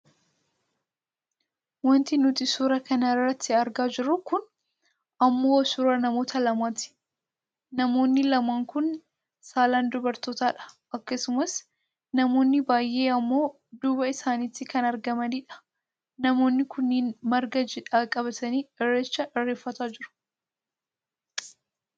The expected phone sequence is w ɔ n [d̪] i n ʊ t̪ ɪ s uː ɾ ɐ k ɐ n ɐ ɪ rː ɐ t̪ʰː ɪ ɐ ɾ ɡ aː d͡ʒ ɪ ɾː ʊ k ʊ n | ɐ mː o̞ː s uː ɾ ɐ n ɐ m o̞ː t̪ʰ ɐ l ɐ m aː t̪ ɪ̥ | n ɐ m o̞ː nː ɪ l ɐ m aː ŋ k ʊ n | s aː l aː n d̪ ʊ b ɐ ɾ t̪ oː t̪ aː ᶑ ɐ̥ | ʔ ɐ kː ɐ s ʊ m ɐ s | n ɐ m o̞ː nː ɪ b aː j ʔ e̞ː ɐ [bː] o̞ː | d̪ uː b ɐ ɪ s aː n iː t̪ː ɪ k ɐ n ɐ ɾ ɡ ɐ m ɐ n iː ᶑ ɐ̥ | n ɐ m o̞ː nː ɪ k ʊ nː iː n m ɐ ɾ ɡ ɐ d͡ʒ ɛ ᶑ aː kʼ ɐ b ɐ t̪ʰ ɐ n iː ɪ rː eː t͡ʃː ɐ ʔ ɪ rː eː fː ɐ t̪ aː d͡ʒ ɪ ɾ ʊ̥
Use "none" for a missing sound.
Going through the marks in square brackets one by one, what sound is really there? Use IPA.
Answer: t̪, mː

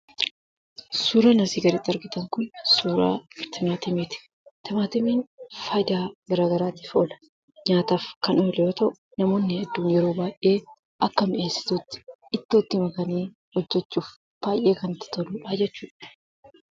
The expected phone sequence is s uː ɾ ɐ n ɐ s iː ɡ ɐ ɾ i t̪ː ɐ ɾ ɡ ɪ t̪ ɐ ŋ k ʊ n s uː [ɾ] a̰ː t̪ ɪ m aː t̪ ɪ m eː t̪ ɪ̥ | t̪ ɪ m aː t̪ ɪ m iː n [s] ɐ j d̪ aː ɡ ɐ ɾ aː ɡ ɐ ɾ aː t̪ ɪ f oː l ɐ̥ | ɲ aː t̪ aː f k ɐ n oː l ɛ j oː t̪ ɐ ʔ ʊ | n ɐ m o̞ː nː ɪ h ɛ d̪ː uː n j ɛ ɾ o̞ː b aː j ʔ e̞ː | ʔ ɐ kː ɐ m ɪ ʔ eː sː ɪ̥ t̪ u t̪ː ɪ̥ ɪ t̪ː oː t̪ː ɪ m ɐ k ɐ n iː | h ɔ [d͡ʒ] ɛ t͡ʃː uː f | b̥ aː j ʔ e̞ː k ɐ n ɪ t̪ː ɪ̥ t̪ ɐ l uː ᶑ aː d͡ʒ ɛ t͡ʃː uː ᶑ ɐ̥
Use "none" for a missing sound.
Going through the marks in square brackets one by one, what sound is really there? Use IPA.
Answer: ɾ, f, d͡ʒː

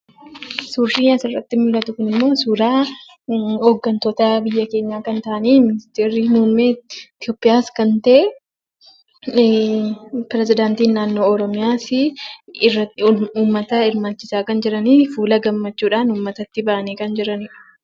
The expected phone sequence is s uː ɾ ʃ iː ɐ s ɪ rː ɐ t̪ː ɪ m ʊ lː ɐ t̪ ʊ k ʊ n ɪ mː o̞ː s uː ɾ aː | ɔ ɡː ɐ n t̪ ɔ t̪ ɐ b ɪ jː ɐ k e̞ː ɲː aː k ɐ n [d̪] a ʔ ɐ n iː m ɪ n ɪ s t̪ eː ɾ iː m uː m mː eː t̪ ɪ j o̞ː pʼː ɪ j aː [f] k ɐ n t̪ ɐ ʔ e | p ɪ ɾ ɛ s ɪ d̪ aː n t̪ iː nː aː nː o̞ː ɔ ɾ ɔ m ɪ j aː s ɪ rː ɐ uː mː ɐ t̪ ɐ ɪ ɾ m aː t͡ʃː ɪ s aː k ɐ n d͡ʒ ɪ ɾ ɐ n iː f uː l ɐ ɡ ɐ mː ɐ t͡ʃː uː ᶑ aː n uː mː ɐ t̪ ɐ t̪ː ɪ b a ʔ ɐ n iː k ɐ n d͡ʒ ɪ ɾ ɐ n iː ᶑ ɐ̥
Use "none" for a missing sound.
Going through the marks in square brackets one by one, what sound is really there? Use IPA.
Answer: t̪, s

